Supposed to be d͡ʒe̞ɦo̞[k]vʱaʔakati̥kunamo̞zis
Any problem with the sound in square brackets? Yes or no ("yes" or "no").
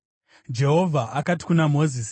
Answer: yes